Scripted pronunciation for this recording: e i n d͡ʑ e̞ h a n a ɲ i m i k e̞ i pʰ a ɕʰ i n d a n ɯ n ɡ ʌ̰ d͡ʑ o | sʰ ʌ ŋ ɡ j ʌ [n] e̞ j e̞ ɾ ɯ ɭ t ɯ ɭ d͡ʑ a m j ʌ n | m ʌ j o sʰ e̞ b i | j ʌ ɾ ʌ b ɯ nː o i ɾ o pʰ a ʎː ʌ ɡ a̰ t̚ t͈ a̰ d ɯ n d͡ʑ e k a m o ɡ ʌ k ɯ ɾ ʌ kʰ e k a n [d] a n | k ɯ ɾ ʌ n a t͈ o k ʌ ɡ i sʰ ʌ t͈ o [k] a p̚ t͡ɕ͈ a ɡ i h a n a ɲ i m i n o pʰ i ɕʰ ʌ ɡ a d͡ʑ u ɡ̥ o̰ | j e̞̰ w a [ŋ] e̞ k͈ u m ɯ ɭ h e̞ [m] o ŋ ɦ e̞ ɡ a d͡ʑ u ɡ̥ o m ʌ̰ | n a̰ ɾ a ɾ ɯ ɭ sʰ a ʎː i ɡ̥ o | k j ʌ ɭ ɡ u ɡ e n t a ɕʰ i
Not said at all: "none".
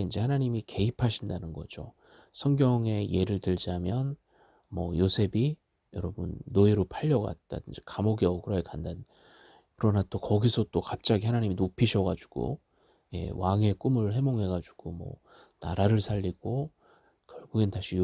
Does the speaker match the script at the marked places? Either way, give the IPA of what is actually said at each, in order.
ŋ, d, k, ŋ, m

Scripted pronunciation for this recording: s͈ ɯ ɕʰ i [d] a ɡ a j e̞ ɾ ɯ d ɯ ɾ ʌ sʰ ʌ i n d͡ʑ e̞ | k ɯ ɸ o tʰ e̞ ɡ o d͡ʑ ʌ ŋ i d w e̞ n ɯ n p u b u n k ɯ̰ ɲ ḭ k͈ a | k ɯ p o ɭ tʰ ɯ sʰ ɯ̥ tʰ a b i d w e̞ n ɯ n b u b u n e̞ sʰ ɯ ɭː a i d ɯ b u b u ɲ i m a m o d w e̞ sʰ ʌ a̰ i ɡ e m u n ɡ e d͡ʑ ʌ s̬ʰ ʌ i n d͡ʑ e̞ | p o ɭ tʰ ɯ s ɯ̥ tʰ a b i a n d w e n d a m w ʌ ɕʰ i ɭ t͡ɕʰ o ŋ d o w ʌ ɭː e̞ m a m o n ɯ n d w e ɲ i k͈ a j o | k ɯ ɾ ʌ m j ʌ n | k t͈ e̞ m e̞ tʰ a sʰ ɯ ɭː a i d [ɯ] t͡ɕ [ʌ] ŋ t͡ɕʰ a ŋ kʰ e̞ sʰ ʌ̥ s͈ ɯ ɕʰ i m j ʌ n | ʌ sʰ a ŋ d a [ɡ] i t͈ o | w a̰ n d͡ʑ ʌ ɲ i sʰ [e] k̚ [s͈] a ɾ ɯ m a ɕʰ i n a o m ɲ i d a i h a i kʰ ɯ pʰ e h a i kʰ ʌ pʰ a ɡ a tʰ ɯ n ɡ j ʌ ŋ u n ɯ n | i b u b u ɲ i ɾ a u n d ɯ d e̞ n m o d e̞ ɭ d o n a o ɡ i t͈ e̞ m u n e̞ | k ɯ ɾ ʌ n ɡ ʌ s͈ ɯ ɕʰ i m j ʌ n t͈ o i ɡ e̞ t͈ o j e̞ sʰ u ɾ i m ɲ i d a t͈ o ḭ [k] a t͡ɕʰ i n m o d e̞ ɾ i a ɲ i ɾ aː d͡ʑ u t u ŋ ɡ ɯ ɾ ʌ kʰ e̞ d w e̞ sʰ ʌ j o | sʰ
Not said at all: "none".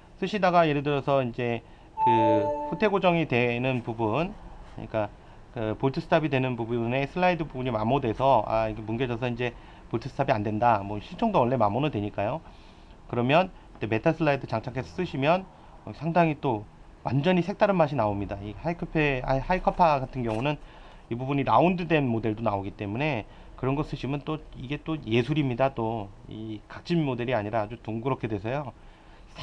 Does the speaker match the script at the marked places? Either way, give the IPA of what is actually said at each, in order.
d, ɯ, a, ŋ, e, t͈, k

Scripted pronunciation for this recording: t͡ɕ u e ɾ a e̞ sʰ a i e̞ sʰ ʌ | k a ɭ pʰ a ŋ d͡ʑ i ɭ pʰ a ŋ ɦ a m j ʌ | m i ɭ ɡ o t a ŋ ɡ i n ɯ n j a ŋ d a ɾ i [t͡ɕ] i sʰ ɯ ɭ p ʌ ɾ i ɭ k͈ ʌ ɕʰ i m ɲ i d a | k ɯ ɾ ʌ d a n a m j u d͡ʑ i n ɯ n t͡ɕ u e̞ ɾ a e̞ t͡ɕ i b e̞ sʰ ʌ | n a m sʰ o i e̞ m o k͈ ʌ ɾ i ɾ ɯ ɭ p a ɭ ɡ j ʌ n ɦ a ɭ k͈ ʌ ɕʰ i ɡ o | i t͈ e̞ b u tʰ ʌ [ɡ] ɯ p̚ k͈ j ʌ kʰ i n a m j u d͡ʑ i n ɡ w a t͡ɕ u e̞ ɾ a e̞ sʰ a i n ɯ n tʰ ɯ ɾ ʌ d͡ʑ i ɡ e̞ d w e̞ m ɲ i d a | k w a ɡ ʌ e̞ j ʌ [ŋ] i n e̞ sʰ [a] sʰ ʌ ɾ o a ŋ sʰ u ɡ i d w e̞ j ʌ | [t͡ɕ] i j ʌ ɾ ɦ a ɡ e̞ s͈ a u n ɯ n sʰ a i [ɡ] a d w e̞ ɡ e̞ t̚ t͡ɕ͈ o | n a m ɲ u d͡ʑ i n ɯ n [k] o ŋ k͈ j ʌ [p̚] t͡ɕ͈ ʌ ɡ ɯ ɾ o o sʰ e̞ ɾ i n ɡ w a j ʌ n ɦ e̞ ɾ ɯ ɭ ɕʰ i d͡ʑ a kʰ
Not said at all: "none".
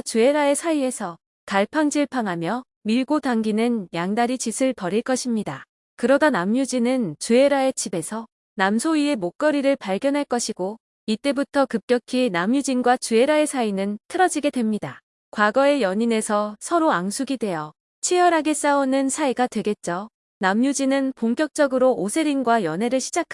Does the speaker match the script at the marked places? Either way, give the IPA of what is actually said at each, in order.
t͡ɕ, k, ɲ, ʌ, t͡ɕʰ, ɡ, p, k̚

